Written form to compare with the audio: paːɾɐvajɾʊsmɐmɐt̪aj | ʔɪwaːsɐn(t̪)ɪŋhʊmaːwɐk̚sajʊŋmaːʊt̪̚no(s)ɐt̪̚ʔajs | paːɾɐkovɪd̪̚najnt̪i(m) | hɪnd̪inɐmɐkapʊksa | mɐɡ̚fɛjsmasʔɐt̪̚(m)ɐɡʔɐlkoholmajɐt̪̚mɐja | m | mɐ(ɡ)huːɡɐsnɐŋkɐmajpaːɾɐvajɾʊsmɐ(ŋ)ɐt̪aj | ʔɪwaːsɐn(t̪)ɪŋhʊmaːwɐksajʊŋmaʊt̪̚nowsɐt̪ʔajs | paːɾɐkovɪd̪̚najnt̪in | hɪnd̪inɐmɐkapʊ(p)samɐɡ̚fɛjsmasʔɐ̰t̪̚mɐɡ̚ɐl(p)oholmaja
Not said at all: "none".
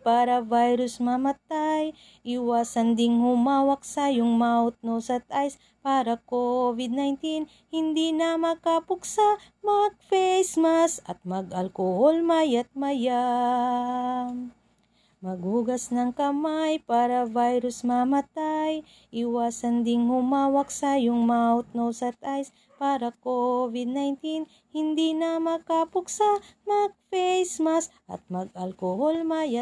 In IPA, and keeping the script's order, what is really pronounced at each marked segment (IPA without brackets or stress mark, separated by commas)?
d̪, s, n, m, ɡ, m, d̪, k, k